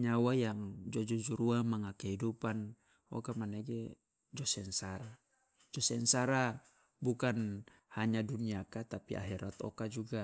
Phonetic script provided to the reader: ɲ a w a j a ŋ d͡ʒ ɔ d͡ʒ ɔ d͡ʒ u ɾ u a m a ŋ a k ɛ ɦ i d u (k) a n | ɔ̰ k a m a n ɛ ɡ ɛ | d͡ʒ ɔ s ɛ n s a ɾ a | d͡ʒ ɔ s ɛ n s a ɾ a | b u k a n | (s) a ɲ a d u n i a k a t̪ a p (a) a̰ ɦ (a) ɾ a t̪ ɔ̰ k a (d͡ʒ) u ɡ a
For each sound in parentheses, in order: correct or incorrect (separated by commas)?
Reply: incorrect, incorrect, incorrect, incorrect, correct